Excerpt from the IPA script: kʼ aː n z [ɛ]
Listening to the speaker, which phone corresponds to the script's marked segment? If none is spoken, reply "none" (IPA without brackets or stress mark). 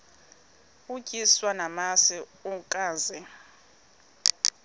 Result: ɛ